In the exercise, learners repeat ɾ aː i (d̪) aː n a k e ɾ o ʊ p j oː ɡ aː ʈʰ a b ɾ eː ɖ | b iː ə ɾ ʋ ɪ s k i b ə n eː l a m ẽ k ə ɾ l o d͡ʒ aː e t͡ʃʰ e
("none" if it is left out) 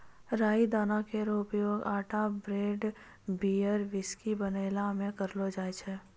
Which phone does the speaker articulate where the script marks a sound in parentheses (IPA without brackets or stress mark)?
d̪